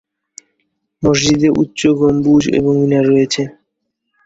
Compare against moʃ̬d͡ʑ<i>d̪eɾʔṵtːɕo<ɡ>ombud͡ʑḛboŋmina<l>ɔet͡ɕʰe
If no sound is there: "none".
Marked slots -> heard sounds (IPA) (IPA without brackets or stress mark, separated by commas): i, ɡ, ɾ